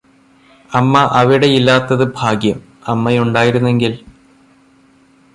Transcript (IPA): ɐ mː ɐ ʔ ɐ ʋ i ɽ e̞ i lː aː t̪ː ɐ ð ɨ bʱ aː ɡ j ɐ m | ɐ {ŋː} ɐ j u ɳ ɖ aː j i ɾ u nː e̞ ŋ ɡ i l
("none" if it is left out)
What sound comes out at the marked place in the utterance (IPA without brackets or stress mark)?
mː